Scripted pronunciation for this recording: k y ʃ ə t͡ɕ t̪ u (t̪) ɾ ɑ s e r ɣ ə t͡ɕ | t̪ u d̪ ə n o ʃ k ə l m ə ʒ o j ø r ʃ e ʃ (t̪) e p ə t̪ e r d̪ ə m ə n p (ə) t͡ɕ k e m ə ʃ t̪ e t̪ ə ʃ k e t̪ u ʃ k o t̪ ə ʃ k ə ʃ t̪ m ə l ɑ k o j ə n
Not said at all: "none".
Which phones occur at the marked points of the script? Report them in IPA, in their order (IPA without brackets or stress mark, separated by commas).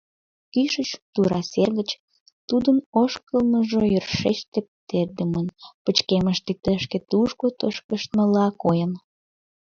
none, t̪, ə